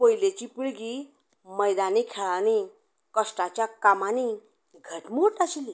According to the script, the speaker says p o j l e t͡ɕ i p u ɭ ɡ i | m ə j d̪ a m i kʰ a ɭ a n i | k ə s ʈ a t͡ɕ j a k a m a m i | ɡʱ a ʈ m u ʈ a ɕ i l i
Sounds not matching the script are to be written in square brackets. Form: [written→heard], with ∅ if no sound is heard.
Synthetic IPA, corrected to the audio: p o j l e t͡ɕ i p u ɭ ɡ i | m ə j d̪ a [m→n] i kʰ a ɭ a n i | k ə s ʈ a t͡ɕ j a k a m a [m→n] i | ɡʱ [a→ə] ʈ m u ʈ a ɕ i l i